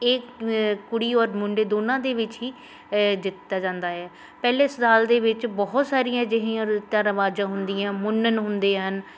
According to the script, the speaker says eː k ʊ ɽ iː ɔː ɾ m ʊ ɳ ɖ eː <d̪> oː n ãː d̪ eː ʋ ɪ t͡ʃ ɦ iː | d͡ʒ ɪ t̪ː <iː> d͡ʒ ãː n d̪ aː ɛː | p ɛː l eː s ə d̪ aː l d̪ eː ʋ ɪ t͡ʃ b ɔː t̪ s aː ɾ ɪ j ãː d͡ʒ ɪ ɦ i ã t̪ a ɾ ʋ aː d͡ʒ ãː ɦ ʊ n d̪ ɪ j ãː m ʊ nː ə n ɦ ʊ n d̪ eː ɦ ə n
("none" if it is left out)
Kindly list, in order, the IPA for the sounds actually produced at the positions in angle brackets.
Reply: d̪, aː

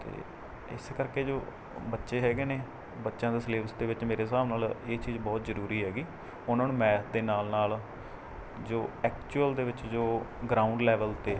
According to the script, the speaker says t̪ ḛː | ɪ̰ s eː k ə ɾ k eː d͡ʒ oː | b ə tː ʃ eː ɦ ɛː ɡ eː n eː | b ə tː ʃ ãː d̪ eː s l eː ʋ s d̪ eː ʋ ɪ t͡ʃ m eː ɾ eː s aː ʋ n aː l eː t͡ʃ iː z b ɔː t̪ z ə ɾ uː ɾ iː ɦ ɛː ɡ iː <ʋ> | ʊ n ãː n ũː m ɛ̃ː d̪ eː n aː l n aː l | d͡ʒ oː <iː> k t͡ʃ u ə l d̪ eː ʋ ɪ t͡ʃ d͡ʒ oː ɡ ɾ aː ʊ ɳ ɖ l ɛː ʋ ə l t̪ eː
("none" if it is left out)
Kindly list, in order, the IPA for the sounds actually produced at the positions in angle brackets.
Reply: none, ɛː

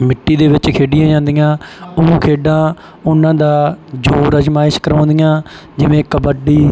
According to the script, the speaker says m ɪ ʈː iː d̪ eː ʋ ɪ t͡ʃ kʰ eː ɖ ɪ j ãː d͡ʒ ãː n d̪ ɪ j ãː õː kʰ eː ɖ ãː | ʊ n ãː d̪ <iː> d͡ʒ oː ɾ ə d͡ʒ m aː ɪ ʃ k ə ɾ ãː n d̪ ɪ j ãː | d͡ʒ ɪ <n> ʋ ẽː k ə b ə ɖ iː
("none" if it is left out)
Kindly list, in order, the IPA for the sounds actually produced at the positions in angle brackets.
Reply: aː, none

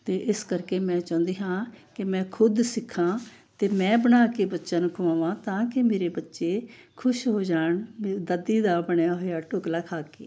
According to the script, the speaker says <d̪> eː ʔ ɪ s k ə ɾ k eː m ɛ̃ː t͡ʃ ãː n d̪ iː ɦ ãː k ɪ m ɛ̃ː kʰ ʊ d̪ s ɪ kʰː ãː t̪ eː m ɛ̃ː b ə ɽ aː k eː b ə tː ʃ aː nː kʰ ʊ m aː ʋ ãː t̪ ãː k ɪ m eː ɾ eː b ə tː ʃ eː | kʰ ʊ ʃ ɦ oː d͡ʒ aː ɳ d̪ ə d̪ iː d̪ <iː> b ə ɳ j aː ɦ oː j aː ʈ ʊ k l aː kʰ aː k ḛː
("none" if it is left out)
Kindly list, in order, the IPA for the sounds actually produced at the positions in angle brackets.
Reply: t̪, aː

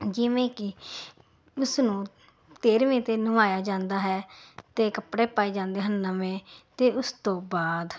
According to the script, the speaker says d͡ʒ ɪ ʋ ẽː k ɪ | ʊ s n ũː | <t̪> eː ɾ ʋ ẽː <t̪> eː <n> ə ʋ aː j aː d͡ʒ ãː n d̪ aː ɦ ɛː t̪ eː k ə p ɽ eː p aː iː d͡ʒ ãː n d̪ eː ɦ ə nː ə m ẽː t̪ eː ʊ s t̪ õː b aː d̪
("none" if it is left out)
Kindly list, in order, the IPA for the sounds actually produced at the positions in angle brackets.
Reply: t̪, t̪, n

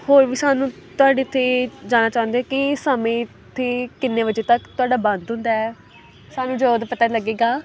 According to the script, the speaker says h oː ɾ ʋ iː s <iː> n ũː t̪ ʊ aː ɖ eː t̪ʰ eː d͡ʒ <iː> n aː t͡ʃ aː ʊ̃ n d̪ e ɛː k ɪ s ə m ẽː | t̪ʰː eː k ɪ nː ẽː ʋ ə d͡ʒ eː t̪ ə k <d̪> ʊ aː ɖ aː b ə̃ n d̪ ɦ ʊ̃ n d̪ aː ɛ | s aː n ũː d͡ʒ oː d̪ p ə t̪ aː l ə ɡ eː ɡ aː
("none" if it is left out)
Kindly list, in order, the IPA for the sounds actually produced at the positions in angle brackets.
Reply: aː, aː, t̪

